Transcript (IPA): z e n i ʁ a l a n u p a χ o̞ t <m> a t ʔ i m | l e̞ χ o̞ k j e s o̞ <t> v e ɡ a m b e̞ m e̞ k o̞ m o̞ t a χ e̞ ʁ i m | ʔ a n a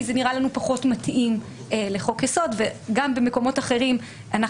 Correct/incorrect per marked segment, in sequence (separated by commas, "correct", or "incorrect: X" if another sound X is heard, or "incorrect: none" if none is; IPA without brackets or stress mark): correct, incorrect: d